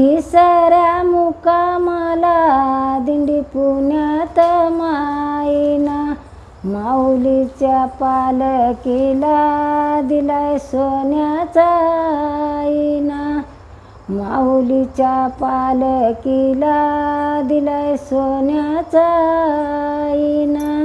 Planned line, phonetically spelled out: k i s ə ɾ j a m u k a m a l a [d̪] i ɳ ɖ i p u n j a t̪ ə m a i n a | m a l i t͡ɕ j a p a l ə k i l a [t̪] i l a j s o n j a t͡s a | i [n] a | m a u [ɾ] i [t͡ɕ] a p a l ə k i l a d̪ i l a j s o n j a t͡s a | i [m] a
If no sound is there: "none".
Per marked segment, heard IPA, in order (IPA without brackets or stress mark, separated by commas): d̪, d̪, n, l, t͡ɕ, n